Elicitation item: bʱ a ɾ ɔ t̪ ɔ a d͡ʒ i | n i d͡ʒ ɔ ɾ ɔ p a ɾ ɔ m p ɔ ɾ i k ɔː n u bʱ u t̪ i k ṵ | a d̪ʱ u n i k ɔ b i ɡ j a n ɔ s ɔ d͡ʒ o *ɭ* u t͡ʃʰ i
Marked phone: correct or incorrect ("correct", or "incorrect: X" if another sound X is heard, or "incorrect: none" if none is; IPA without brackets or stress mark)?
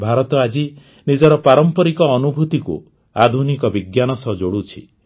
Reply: incorrect: ɽ